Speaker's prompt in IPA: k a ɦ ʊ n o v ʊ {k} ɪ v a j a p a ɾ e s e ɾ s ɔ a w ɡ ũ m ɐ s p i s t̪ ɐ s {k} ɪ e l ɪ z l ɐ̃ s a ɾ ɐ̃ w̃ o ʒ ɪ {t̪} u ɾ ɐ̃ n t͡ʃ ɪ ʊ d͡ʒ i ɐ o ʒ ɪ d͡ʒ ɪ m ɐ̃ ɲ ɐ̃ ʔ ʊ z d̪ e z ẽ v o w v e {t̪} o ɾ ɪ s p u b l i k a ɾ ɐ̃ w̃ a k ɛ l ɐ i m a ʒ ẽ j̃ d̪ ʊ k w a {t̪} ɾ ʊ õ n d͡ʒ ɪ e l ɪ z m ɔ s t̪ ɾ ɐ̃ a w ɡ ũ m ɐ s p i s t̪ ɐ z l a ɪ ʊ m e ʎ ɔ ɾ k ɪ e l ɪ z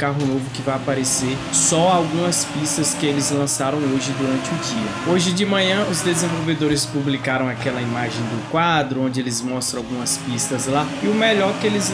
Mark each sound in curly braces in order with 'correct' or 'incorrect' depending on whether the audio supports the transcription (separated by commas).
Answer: correct, correct, incorrect, incorrect, incorrect